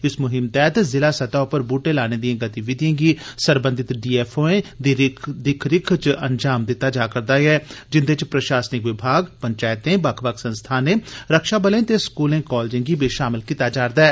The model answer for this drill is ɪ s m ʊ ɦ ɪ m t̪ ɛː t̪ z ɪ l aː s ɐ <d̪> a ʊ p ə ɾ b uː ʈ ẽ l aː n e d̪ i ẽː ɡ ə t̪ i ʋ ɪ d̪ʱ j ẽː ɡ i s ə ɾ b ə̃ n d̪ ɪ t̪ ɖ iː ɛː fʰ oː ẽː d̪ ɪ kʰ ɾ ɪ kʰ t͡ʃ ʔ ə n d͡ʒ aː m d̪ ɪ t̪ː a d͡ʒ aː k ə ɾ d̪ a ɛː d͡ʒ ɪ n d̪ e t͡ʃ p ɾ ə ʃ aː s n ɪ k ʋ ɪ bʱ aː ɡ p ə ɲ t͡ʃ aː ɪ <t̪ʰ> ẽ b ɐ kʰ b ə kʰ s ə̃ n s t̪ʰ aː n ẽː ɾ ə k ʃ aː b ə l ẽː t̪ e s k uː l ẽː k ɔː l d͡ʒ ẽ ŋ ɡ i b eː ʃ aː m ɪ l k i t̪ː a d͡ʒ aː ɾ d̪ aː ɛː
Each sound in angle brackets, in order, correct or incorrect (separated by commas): incorrect, incorrect